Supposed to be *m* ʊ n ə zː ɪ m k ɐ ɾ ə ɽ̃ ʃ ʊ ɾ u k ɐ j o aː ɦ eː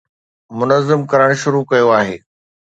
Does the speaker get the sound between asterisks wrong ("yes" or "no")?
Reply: no